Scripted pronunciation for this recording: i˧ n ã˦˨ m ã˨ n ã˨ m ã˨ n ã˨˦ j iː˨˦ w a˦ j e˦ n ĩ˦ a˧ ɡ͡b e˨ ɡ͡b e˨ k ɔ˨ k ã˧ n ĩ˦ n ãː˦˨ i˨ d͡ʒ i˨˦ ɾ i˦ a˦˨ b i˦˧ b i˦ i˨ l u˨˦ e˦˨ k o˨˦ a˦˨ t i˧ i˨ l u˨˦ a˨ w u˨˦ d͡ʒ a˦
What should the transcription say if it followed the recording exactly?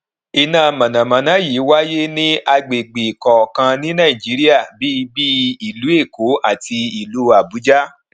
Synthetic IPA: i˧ n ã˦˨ m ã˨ n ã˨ m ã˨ n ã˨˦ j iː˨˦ w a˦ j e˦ n ĩ˦ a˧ ɡ͡b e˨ ɡ͡b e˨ k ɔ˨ k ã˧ n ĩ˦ n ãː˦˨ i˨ d͡ʒ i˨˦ ɾ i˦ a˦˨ b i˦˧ b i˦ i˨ l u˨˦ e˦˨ k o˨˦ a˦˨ t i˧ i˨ l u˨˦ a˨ b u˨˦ d͡ʒ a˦